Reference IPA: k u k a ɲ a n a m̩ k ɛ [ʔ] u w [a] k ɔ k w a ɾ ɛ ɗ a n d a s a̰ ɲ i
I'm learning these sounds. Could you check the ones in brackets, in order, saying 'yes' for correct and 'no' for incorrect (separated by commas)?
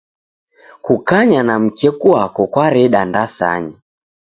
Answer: no, yes